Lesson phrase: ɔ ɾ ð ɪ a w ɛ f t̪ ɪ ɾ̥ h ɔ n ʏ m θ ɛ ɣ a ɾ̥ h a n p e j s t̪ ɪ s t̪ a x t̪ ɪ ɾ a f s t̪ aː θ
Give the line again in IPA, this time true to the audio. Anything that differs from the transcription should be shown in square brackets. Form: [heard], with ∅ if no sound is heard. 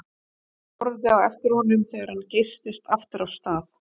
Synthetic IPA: ɔ ɾ ð ɪ a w ɛ f t̪ ɪ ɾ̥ h ɔ n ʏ m θ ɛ ɣ a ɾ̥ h a n [c] e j s t̪ ɪ s t̪ a [f] t̪ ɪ ɾ a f s t̪ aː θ